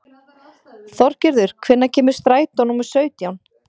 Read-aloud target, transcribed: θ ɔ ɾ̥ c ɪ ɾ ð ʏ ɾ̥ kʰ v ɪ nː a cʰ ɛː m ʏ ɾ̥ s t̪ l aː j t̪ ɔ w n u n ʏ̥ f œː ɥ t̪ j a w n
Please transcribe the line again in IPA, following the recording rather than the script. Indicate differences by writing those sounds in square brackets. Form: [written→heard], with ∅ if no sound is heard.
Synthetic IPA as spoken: θ ɔ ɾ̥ c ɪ ɾ ð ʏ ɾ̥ kʰ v ɪ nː a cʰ ɛː m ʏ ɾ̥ s t̪ [l→ɾ] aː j t̪ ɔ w n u [n→m] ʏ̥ [f→s] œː ɥ t̪ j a w n